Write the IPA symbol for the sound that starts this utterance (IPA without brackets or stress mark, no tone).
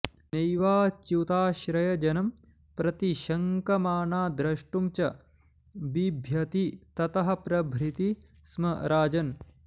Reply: n